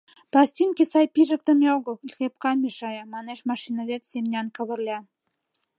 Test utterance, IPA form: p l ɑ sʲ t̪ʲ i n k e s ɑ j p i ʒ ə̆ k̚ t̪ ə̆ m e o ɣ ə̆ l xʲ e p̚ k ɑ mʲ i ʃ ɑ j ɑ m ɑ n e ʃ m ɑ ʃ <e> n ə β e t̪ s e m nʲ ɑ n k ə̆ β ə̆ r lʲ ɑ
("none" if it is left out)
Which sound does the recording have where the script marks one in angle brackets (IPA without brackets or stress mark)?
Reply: i